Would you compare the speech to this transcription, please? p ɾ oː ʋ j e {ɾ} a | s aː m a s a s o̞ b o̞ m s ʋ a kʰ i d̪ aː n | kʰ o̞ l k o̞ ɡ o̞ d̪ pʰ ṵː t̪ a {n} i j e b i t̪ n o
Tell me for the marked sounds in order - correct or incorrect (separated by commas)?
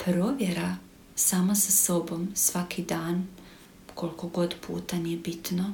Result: correct, correct